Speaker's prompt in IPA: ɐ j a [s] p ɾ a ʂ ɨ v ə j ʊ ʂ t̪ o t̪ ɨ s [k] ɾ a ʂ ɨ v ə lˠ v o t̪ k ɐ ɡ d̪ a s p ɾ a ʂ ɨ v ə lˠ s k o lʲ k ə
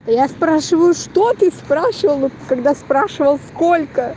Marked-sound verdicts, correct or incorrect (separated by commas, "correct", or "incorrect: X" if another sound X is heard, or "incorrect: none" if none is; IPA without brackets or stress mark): correct, incorrect: p